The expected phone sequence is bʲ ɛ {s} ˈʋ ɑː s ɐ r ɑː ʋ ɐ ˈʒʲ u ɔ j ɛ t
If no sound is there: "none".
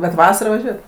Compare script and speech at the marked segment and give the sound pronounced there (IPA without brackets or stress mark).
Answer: t